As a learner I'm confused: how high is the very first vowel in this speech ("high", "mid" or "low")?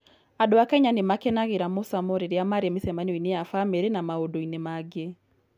low